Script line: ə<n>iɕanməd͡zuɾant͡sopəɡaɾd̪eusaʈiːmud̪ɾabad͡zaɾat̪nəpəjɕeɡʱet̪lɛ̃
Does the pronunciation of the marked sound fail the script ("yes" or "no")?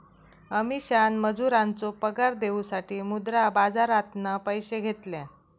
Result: yes